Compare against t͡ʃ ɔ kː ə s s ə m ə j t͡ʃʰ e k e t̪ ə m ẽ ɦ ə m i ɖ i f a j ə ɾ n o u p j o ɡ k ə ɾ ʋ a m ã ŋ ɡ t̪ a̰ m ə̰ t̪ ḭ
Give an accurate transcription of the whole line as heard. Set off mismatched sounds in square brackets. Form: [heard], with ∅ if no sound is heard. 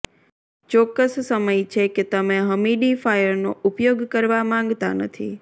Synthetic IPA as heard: t͡ʃ ɔ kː ə s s ə m ə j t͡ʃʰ e k e t̪ ə m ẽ ɦ ə m i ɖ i f a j ə ɾ n o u p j o ɡ k ə ɾ ʋ a m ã ŋ ɡ t̪ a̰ [n] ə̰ [t̪ʰ] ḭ